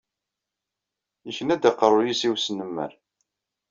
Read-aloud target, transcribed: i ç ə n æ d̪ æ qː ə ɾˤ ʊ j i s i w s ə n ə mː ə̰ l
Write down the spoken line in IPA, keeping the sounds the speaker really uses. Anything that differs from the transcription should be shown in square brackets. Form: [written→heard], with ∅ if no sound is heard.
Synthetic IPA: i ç ə n æ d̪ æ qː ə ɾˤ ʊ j i s i w s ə n ə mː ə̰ [l→ɾ]